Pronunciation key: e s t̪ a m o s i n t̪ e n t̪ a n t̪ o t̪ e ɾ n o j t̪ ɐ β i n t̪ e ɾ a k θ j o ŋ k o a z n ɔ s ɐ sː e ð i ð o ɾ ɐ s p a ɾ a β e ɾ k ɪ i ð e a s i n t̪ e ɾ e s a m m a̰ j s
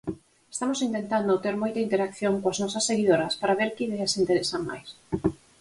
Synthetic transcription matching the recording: e s t̪ a m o s i n t̪ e n t̪ a n d̪ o t̪ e ɾ m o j t̪ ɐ i n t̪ e ɾ a k θ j o ŋ k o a z n ɔ s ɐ sː e ɣ i ð o ɾ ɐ s p a ɾ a β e ɾ k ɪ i ð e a s i n t̪ e ɾ e s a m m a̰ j s